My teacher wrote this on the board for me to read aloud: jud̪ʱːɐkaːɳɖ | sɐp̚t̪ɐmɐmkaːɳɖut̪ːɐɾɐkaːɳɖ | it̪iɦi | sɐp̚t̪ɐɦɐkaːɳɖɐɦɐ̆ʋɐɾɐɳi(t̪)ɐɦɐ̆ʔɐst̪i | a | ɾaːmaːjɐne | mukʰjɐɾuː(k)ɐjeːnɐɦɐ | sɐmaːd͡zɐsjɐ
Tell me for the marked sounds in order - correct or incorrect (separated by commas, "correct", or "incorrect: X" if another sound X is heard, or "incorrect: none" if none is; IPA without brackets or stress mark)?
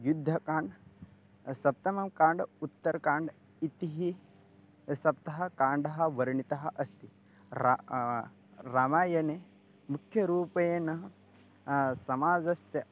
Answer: correct, incorrect: p